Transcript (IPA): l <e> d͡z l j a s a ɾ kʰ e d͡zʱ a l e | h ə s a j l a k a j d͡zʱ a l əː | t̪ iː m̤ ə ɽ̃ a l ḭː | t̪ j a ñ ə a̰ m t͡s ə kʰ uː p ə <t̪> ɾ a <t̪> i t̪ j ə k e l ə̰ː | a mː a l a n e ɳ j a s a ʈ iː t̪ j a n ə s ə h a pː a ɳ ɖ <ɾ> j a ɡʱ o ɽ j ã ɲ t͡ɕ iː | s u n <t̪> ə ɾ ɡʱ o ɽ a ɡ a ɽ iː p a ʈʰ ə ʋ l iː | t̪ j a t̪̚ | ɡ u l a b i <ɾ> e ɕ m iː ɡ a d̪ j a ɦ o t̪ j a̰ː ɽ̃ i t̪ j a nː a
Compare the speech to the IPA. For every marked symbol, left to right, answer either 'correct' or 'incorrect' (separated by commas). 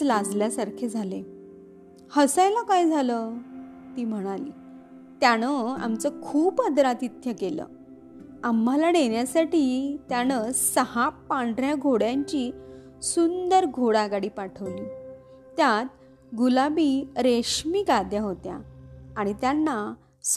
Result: incorrect, incorrect, correct, correct, incorrect, correct